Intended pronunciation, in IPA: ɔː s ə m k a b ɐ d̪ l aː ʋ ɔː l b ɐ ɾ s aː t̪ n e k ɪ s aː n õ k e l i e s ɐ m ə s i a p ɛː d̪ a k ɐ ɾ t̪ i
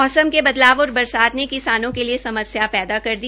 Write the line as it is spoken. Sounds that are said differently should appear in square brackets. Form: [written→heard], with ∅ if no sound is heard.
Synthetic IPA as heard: ɔː s ə m k [a→e] b ɐ d̪ l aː ʋ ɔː [l→ɾ] b ɐ ɾ s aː t̪ n e k ɪ s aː n õ k e l i e s ɐ m ə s [i→j] a p ɛː d̪ a k ɐ ɾ [t̪→d̪] i